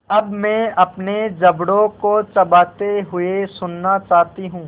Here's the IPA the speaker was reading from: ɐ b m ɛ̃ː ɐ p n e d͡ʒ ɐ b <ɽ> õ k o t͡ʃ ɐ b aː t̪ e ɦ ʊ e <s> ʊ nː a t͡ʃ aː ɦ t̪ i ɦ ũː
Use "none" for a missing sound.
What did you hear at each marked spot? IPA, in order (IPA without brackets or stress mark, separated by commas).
ɽ, s